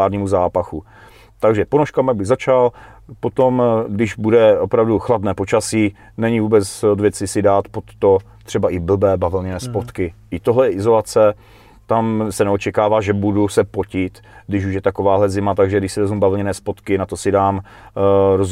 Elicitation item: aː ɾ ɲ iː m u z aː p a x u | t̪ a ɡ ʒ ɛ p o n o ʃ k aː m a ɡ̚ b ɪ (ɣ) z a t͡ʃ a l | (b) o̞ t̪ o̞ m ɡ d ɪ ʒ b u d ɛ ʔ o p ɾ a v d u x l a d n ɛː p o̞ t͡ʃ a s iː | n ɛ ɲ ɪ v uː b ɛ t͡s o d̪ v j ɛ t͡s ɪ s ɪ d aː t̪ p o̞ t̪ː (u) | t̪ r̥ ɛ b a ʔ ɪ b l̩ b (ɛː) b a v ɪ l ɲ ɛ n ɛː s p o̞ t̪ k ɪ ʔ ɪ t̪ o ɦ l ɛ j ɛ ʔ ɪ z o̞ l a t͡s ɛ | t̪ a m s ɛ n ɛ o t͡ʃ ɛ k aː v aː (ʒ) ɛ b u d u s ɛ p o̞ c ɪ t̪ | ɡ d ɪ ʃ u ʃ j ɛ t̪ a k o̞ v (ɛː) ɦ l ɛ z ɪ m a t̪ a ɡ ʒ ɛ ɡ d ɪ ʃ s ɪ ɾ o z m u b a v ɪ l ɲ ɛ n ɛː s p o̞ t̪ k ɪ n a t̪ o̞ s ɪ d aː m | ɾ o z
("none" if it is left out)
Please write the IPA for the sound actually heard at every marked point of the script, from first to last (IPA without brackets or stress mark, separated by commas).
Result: ɣ, p, o, ɛː, ʒ, aː